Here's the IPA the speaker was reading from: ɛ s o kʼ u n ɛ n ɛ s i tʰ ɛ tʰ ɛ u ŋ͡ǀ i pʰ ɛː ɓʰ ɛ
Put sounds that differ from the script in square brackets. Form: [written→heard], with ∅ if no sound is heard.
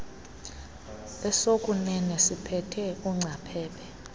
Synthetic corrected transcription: ɛ s o kʼ u n ɛ n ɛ s i [tʰ→pʰ] ɛ tʰ ɛ u ŋ͡ǀ [i→a] pʰ ɛː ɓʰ ɛ